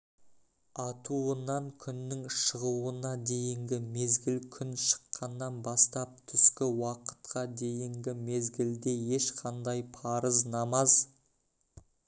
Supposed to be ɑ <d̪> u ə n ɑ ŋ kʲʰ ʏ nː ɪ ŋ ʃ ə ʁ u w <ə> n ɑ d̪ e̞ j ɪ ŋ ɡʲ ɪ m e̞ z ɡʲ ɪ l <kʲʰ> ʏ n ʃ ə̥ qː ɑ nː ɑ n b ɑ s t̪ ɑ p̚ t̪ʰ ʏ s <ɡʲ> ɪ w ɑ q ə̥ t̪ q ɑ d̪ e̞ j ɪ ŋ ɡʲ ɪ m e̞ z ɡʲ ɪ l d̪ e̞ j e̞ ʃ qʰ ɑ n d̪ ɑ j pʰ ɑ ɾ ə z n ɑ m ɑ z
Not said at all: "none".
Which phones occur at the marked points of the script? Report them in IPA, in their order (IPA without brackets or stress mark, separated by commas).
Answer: t̪, ə, kʲʰ, kʲ